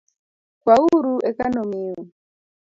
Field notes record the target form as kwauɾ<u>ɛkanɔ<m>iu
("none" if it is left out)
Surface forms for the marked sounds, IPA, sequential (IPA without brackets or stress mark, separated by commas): u, m